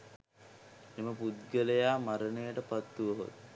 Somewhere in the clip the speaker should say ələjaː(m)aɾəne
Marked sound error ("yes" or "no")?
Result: no